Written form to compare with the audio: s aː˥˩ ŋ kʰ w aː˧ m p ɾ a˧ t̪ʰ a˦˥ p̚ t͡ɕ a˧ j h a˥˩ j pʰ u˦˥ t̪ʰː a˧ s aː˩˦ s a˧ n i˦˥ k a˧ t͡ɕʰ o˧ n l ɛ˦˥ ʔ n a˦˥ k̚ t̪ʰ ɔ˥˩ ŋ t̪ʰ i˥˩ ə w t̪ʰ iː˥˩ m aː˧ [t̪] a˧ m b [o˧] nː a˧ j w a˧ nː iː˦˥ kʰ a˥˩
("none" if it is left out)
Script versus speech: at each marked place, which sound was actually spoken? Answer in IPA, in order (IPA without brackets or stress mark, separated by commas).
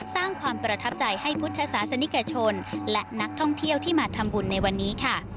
t̪ʰ, u˧